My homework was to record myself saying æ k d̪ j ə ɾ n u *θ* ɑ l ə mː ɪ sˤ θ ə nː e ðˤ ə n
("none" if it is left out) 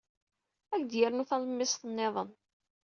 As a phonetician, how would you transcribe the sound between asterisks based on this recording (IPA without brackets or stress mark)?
θ